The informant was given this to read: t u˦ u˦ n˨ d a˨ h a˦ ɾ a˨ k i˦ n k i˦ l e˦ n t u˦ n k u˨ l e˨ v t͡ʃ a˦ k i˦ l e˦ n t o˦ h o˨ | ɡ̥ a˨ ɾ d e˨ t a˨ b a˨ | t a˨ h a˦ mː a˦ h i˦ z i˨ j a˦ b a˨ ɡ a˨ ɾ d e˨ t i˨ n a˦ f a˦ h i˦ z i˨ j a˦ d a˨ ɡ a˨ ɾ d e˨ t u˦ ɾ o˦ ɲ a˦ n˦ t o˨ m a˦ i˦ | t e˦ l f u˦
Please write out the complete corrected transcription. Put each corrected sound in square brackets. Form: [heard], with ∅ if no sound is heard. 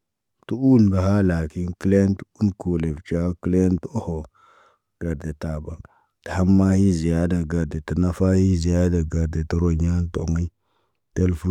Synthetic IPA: t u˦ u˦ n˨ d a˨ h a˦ [l] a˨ k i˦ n k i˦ l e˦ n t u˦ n k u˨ l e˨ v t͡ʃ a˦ k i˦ l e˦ n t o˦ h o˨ | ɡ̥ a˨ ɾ d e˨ t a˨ b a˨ | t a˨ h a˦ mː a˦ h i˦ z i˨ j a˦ [d] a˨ ɡ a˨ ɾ d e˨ t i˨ n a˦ f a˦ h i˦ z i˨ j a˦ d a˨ ɡ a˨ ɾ d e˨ t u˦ ɾ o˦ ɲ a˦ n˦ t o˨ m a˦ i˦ | t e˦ l f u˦

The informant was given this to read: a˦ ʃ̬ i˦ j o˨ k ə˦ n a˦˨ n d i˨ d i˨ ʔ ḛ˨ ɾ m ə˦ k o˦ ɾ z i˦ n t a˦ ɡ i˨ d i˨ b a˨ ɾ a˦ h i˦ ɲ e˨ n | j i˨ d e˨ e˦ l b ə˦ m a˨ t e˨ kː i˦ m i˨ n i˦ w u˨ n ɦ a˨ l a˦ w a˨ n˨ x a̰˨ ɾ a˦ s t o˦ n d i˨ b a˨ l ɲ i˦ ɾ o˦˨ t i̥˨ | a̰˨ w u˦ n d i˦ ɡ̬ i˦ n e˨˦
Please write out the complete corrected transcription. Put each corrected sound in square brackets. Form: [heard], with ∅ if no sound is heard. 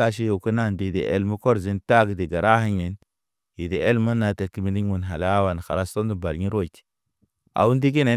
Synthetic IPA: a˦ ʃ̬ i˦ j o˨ k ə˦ n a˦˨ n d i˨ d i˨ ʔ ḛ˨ [l] m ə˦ k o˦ ɾ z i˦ n t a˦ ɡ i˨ d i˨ [ɡ] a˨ ɾ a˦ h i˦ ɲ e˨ n | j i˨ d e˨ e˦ l [m] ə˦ [n] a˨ t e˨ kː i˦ m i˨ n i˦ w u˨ n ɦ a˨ l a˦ w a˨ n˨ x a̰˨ ɾ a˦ s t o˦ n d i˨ b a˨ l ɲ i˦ ɾ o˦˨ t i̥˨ | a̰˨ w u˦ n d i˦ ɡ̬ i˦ n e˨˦

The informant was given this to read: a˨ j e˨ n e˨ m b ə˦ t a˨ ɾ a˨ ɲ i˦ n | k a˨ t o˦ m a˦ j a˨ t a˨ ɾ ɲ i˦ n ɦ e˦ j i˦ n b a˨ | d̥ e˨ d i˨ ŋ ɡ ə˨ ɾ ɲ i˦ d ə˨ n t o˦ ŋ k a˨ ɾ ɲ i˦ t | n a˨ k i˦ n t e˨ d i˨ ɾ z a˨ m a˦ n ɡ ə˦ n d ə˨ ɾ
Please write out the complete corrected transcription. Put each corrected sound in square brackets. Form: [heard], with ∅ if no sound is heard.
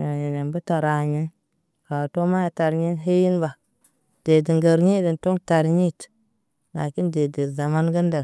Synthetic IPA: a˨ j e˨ n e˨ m b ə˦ t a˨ ɾ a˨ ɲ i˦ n | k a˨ t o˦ m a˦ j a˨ t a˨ ɾ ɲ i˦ n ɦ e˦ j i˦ n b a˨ | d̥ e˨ d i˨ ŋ ɡ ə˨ ɾ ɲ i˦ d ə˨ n t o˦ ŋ [t] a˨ ɾ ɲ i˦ t | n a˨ k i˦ n [d] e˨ d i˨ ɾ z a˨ m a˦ n ɡ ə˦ n d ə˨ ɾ

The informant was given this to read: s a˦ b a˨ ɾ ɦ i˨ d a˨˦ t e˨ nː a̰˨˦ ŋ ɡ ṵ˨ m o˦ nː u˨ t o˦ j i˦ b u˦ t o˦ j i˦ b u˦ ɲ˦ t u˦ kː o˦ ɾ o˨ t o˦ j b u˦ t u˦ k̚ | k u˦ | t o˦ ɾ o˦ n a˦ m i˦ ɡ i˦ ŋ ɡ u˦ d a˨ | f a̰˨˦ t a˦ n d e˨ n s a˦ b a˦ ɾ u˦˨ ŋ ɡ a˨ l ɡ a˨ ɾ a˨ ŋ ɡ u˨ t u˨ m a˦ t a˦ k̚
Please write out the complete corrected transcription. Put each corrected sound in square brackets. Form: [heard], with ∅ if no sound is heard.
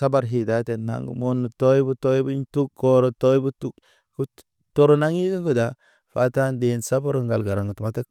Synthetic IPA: s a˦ b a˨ ɾ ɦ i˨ d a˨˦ t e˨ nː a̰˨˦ ŋ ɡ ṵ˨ m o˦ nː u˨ t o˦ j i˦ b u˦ t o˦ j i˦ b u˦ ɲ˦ t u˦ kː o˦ ɾ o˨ t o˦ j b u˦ t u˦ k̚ | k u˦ | t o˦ ɾ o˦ n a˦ [ŋ] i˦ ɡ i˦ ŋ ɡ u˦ d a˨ | f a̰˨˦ t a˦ n d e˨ n s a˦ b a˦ ɾ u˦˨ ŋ ɡ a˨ l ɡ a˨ ɾ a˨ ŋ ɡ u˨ t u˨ m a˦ t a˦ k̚

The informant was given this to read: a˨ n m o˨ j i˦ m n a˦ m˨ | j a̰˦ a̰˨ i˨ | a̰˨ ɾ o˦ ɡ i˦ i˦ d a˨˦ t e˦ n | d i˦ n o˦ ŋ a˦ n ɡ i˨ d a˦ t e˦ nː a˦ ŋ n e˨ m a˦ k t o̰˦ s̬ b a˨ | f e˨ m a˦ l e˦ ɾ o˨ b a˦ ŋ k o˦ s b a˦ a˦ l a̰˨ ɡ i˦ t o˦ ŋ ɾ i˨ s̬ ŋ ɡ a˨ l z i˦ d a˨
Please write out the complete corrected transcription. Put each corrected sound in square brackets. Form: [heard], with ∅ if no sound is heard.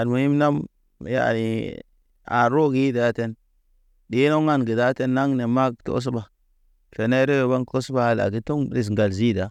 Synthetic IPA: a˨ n m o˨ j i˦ m n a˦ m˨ | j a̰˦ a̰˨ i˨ | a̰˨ ɾ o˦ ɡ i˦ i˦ d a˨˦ t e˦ n | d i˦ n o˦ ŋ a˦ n ɡ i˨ d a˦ t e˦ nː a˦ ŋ n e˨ m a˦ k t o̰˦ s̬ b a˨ | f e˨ [n] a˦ [ɾ] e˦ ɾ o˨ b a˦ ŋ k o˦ s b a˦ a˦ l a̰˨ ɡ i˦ t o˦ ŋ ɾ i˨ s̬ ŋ ɡ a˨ l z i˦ d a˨

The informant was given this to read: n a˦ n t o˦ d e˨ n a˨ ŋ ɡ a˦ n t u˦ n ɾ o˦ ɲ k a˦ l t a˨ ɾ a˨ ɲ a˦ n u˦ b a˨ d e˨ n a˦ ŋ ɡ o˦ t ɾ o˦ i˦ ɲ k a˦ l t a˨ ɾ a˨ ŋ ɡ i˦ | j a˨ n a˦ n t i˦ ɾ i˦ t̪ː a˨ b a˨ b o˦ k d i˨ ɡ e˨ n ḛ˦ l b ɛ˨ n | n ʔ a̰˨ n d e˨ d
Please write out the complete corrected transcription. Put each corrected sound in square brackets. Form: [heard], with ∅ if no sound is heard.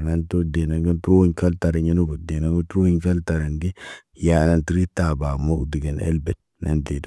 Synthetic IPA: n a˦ n t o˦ d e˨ n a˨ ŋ ɡ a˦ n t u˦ [∅] ɾ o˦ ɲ k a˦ l t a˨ ɾ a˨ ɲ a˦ n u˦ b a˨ d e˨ n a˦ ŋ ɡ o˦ t ɾ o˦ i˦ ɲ k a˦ l t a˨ ɾ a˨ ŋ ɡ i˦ | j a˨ n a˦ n t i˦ ɾ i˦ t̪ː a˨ b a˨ [m] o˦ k d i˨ ɡ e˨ n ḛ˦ l b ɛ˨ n | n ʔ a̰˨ n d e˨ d

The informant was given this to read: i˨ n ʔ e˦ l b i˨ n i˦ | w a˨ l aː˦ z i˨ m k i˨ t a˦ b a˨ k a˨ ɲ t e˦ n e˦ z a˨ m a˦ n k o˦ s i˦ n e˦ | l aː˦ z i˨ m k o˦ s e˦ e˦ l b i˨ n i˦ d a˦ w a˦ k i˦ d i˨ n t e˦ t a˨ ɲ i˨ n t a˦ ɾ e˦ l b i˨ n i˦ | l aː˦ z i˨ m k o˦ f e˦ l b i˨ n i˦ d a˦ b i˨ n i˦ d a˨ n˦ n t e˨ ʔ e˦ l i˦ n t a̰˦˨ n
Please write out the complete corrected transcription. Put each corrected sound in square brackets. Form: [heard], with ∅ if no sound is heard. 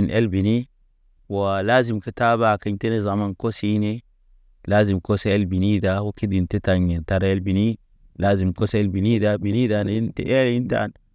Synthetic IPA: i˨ n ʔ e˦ l b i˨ n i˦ | w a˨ l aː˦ z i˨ m k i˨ t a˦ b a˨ k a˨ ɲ t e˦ n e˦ z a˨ m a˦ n k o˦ s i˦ n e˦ | l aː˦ z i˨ m k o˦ s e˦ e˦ l b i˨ n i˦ d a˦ w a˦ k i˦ d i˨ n t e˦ t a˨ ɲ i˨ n t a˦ ɾ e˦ l b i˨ n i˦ | l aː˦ z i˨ m k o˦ [s] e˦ l b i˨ n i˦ d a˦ b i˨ n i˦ d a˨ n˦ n t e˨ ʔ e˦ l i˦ n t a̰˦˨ n

